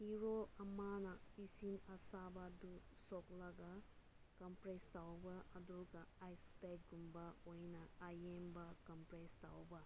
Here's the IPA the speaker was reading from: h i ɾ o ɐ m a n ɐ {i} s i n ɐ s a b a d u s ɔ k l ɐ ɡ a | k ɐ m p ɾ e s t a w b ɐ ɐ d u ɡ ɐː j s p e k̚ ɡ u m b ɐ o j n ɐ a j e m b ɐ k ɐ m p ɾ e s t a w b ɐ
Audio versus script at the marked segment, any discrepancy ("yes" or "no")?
no